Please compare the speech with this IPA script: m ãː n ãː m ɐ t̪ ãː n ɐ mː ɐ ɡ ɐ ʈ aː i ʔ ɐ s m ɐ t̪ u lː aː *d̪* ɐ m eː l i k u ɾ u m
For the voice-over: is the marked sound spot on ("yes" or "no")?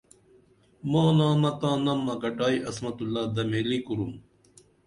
yes